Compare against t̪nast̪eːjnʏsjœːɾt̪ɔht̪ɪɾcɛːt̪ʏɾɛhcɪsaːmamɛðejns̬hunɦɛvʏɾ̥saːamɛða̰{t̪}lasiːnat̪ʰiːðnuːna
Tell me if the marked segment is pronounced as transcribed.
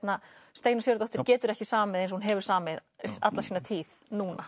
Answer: yes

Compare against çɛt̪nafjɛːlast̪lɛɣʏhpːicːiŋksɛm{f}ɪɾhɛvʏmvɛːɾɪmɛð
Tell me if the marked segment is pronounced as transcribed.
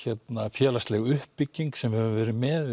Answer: no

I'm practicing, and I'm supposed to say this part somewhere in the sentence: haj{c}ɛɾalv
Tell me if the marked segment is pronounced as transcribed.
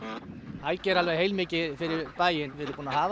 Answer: yes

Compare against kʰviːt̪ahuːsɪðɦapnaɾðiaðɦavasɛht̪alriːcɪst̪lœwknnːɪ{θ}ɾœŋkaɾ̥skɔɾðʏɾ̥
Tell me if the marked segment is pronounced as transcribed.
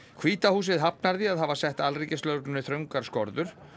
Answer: yes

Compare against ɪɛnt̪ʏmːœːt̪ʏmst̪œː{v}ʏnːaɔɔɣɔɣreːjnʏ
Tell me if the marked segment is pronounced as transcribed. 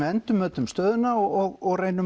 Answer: no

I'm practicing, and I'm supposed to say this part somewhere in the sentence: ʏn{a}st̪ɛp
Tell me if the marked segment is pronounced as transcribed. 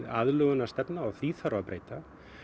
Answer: yes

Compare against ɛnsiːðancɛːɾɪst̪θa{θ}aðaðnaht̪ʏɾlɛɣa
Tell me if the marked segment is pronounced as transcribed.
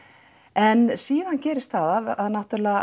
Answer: no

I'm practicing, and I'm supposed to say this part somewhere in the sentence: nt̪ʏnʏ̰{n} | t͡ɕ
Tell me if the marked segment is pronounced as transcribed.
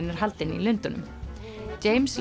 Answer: no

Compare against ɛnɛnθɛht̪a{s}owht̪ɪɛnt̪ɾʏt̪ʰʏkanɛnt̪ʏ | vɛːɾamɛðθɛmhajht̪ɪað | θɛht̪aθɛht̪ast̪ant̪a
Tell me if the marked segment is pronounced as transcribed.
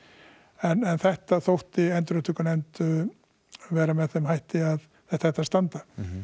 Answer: no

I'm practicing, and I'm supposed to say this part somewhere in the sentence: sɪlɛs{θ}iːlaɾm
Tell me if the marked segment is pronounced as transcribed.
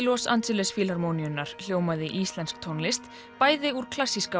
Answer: no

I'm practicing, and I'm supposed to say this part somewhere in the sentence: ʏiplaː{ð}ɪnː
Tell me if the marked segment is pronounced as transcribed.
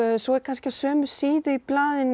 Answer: yes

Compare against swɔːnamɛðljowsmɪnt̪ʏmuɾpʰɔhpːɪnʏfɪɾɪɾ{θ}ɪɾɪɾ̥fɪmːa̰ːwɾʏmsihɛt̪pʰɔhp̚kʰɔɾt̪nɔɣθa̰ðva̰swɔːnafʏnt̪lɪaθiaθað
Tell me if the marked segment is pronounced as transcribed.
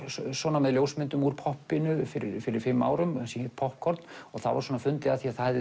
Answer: no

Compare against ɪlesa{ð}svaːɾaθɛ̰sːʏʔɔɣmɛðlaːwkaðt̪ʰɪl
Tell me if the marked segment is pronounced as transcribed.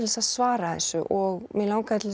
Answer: yes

